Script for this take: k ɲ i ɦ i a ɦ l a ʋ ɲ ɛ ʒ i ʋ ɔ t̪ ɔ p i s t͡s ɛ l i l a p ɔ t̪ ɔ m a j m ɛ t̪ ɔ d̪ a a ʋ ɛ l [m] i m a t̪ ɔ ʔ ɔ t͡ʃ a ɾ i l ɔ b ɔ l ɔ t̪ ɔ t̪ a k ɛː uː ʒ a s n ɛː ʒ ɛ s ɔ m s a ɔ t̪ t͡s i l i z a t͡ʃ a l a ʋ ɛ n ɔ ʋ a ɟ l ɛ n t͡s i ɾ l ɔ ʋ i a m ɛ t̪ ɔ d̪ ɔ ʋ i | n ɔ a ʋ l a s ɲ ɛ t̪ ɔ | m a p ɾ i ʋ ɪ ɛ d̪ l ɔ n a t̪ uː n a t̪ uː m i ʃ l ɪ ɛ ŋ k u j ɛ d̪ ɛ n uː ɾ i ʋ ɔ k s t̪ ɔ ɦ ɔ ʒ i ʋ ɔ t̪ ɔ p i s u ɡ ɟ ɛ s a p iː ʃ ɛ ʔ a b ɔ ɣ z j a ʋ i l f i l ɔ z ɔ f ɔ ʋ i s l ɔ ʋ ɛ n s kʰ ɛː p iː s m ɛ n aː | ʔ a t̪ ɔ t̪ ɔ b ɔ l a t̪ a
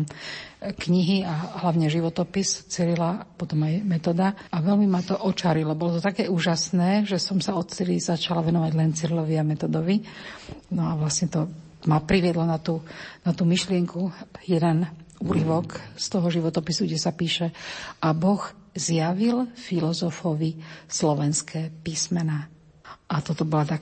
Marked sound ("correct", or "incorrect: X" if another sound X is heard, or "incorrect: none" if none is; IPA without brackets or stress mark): correct